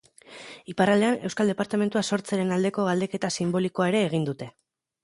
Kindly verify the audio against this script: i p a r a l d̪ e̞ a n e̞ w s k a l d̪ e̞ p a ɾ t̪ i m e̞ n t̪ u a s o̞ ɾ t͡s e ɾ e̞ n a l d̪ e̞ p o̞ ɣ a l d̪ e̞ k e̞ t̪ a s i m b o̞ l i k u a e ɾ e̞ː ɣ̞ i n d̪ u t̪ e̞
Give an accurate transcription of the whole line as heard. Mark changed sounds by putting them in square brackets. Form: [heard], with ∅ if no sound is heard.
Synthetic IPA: i p a r a l d̪ e̞ a n e̞ w s k a l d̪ e̞ p a ɾ t̪ [a] m e̞ n t̪ u a s o̞ ɾ t͡s e ɾ e̞ n a l d̪ e̞ [k] o̞ ɣ a l d̪ e̞ k e̞ t̪ a s i m b o̞ l i k [o] a e ɾ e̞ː ɣ̞ i n d̪ u t̪ e̞